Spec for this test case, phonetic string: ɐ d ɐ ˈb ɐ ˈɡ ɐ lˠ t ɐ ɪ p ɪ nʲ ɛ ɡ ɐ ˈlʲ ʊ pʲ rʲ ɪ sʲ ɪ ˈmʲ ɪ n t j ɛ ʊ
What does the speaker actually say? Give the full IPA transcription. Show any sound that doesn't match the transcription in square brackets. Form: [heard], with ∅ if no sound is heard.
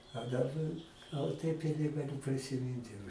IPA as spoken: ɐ d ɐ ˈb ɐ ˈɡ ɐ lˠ t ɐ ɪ p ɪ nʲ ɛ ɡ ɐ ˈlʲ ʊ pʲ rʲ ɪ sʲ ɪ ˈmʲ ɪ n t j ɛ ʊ